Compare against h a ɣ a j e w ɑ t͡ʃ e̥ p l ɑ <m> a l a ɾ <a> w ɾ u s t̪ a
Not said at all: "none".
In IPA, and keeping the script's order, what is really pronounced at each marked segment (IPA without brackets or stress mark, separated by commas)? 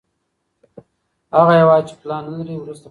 n, i